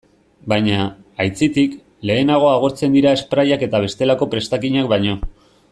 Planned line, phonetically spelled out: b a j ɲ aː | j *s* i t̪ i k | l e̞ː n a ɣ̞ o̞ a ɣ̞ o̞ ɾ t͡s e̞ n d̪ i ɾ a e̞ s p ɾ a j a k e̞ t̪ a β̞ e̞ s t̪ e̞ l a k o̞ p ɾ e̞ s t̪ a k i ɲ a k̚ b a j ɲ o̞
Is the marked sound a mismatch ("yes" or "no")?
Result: yes